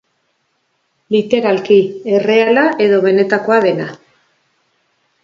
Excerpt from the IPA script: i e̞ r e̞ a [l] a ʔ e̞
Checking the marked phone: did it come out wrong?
no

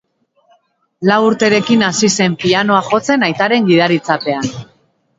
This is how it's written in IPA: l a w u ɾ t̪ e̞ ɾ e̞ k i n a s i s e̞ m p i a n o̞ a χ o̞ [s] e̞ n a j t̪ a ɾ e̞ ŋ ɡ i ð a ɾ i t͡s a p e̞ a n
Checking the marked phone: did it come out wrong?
yes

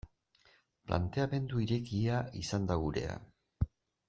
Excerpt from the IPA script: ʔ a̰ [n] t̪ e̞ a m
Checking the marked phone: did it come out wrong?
no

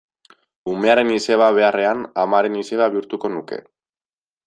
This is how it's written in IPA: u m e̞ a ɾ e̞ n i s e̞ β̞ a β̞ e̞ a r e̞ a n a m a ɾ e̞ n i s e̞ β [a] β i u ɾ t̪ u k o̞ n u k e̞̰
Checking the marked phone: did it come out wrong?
no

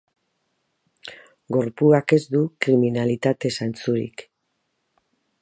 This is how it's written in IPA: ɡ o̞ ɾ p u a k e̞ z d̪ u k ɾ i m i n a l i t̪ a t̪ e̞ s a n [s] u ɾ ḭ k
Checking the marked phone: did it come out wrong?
yes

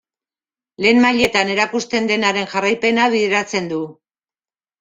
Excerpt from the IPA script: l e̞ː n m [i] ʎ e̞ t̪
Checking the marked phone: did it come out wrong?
yes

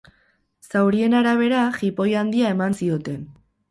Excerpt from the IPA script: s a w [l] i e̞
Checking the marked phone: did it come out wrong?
yes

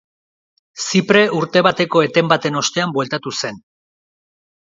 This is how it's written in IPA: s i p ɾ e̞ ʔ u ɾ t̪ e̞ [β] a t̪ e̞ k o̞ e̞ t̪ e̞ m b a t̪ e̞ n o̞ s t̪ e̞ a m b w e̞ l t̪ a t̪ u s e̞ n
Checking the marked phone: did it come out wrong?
no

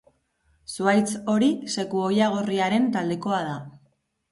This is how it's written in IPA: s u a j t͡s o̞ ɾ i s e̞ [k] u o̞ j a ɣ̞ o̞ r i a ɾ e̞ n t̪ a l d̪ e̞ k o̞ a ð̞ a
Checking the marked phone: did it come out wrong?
no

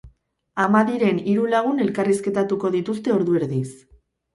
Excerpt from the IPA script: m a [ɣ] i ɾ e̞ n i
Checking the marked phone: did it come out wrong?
yes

